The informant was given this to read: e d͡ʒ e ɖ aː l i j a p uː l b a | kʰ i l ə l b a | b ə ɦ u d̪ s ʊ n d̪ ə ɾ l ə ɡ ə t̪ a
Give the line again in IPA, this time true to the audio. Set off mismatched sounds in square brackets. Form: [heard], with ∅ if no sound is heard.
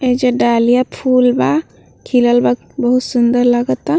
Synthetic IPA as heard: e d͡ʒ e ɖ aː l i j a [pʰ] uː l b a | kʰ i l ə l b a | b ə ɦ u [t̪] s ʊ n d̪ ə ɾ l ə ɡ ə t̪ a